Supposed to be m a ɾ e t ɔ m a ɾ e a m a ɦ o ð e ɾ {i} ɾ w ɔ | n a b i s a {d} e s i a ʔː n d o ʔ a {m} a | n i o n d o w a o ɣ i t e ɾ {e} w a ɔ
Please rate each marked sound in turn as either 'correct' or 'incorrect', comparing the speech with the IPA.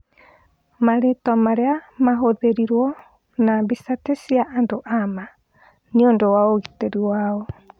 correct, incorrect: t, correct, incorrect: i

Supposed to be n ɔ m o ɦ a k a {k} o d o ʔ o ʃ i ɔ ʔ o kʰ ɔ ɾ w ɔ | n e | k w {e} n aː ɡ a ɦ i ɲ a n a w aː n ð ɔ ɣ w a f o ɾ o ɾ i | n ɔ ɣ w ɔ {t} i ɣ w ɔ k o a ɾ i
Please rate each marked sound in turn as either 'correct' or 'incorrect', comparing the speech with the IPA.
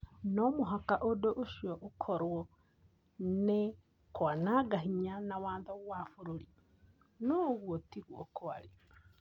incorrect: ʔ, incorrect: a, correct

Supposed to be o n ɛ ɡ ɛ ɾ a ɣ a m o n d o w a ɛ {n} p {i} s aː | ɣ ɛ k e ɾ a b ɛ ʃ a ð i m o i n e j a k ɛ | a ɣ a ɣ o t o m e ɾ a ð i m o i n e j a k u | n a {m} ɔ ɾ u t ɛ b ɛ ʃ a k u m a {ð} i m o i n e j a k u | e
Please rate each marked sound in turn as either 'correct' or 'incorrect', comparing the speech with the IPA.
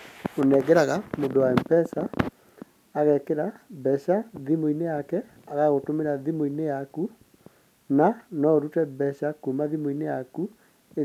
incorrect: m, incorrect: ɛ, incorrect: n, correct

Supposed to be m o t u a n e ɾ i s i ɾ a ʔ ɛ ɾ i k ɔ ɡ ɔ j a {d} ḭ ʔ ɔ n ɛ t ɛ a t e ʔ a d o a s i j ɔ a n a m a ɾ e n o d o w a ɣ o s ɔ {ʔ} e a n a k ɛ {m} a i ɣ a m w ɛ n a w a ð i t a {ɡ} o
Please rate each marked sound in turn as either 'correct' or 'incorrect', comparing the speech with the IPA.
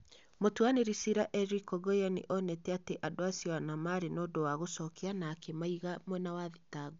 incorrect: n, incorrect: k, correct, correct

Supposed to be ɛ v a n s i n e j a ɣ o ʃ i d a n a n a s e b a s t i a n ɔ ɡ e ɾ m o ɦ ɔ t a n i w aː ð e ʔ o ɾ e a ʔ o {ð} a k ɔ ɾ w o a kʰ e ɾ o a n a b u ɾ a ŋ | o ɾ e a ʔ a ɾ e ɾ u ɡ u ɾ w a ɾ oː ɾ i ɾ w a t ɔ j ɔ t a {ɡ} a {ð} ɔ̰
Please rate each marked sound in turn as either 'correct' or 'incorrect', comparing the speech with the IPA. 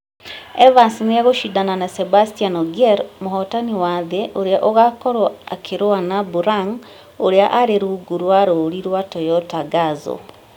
incorrect: ɣ, correct, incorrect: z

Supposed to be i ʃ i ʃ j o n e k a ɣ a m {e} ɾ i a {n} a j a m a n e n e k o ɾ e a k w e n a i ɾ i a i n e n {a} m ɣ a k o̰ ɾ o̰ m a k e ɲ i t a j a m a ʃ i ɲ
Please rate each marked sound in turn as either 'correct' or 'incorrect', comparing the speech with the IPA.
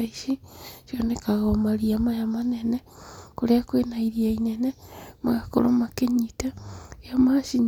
incorrect: a, incorrect: m, incorrect: e

